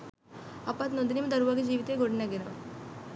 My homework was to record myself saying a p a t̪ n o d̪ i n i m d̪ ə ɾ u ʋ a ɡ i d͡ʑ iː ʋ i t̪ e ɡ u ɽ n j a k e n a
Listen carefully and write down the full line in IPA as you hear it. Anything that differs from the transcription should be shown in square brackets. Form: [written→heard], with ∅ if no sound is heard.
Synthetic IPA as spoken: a p a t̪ n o d̪ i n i m d̪ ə ɾ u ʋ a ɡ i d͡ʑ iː ʋ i t̪ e ɡ [u→o] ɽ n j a [k→ɡ] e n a